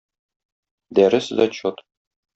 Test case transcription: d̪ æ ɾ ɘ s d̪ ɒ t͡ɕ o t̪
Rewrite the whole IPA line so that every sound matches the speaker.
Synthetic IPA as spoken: d̪ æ ɾ ɘ s d̪ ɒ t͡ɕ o t̪